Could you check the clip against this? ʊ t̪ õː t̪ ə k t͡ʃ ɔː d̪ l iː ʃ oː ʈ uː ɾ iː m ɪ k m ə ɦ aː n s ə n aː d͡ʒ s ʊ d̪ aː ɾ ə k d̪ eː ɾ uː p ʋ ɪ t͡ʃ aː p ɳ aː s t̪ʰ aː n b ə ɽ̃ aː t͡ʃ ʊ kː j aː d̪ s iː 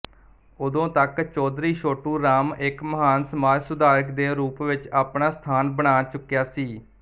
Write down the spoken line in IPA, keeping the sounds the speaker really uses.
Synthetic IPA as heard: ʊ d̪ õː t̪ ə k t͡ʃ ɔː d̪ ɾ iː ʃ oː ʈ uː ɾ aː m ɪ k m ə ɦ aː n s ə m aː d͡ʒ s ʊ d̪ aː ɾ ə k d̪ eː ɾ uː p ʋ ɪ t͡ʃ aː p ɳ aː s t̪ʰ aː n b ə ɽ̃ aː t͡ʃ ʊ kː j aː s iː